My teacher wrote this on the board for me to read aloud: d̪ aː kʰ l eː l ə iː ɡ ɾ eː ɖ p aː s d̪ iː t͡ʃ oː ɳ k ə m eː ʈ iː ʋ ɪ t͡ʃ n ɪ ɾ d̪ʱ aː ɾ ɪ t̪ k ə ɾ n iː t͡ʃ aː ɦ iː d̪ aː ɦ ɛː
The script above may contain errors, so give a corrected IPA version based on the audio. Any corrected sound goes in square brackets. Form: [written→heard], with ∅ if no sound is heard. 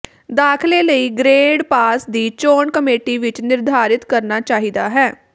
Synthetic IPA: d̪ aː kʰ l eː l ə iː ɡ ɾ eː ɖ p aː s d̪ iː t͡ʃ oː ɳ k ə m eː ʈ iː ʋ ɪ t͡ʃ n ɪ ɾ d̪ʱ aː ɾ ɪ t̪ k ə ɾ n [iː→aː] t͡ʃ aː ɦ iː d̪ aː ɦ ɛː

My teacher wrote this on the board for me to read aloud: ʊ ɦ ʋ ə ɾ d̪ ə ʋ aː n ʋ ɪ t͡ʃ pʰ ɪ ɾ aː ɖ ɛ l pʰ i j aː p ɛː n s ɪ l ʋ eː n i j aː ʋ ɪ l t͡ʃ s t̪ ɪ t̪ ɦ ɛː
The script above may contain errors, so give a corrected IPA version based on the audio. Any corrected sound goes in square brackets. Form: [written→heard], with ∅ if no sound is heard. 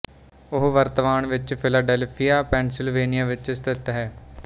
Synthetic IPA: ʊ ɦ ʋ ə ɾ [d̪→t̪] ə ʋ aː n ʋ ɪ t͡ʃ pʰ ɪ [ɾ→l] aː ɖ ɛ l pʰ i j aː p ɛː n s ɪ l ʋ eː n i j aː ʋ ɪ [l→∅] t͡ʃ s t̪ ɪ t̪ ɦ ɛː

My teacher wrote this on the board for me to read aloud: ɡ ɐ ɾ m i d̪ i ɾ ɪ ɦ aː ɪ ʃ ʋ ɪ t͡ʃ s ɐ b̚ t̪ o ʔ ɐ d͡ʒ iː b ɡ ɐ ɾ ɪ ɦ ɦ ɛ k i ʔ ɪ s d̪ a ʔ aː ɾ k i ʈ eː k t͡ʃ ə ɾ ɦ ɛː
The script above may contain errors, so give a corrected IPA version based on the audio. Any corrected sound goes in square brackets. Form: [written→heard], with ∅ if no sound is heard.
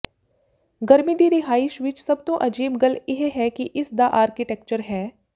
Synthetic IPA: ɡ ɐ ɾ m i d̪ i ɾ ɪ ɦ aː ɪ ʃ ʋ ɪ t͡ʃ s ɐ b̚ t̪ o ʔ ɐ d͡ʒ iː b ɡ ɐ [ɾ→l] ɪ ɦ ɦ ɛ k i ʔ ɪ s d̪ a ʔ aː ɾ k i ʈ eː k t͡ʃ ə ɾ ɦ ɛː

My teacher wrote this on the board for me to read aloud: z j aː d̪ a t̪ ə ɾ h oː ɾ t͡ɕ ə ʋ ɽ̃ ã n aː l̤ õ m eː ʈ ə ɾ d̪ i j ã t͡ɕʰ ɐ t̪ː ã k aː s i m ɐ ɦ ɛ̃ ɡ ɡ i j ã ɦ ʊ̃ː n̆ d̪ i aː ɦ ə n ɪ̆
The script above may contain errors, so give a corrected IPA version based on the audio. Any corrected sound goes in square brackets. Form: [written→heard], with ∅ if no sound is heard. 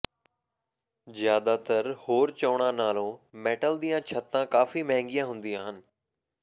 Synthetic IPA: z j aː d̪ a t̪ ə ɾ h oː ɾ t͡ɕ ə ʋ ɽ̃ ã n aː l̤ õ m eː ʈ ə [ɾ→l] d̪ i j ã t͡ɕʰ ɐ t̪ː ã k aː [s→f] i m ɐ ɦ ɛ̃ [ɡ→ŋ] ɡ i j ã ɦ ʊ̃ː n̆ d̪ i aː ɦ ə n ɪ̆

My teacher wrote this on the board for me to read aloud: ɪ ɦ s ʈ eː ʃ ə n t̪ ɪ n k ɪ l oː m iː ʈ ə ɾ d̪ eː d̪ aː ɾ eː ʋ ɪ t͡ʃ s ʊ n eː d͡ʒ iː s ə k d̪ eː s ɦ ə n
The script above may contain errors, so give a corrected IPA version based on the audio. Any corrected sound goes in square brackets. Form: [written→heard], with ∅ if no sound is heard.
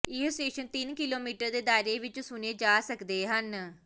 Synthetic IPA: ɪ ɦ s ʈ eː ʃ ə n t̪ ɪ n k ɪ l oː m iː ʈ ə ɾ d̪ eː d̪ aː ɾ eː ʋ ɪ t͡ʃ s ʊ n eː d͡ʒ [iː→aː] s ə k d̪ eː [s→∅] ɦ ə n

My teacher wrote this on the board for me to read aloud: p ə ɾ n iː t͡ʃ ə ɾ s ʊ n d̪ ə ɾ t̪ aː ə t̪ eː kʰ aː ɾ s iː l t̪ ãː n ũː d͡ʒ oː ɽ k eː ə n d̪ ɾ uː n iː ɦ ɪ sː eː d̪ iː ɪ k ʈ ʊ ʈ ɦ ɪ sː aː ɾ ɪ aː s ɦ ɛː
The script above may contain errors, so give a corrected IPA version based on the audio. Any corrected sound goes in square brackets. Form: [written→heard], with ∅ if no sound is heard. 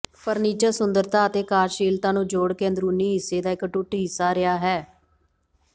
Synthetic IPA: p ə ɾ n iː t͡ʃ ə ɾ s ʊ n d̪ ə ɾ t̪ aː ə t̪ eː [kʰ→k] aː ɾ [s→ʃ] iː l t̪ ãː n ũː d͡ʒ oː ɽ k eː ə n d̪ ɾ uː n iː ɦ ɪ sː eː d̪ [iː→aː] ɪ k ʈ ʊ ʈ ɦ ɪ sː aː ɾ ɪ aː [s→∅] ɦ ɛː

